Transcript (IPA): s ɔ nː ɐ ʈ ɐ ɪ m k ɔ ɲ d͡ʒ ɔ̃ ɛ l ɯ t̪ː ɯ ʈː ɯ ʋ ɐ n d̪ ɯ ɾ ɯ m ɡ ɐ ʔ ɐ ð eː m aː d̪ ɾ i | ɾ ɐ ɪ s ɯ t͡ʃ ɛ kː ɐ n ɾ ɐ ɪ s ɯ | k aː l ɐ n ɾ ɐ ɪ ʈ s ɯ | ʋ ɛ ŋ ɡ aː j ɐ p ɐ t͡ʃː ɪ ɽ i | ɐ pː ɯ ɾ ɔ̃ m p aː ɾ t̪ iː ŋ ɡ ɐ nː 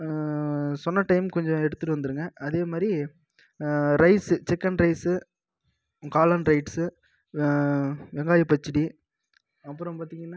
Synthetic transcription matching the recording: s ɔ nː ɐ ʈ ɐ ɪ m k ɔ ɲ d͡ʒ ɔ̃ ɛ ɽ ɯ t̪ː ɯ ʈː ɯ ʋ ɐ n d̪ ɯ ɾ ɯ ŋ ɡ ɐ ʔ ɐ ð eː m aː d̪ ɾ i | ɾ ɐ ɪ s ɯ t͡ʃ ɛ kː ɐ n ɾ ɐ ɪ s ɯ | k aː l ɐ n ɾ ɐ ɪ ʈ s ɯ | ʋ ɛ ŋ ɡ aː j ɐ p ɐ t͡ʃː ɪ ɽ i | ɐ pː ɯ ɾ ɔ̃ m p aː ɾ t̪ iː ŋ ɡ ɐ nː